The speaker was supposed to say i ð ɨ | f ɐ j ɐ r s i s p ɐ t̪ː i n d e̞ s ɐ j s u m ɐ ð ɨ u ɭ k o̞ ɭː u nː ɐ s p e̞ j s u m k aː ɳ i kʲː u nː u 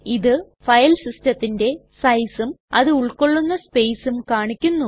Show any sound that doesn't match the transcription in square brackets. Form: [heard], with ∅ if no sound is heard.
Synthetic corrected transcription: i ð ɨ | f ɐ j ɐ [l] s i s [t] ɐ t̪ː i n d e̞ s ɐ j s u m ɐ ð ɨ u ɭ k o̞ ɭː u nː ɐ s p e̞ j s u m k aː ɳ i kʲː u nː u